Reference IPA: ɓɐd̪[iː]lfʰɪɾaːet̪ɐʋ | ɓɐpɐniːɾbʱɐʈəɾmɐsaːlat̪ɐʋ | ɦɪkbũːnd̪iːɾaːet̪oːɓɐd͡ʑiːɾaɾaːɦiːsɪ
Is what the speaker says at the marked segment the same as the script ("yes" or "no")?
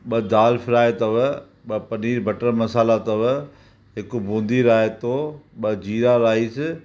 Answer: no